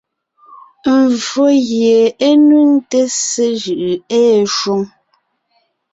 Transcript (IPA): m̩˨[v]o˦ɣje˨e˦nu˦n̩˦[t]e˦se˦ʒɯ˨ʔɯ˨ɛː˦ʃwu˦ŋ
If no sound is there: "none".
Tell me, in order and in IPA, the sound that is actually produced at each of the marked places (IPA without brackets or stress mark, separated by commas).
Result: v, t